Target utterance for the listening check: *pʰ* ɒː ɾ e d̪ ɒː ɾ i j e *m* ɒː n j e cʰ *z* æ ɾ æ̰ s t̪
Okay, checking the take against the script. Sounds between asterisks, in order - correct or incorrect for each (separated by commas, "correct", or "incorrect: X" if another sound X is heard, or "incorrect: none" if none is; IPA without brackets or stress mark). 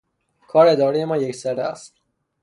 incorrect: kʰ, correct, incorrect: s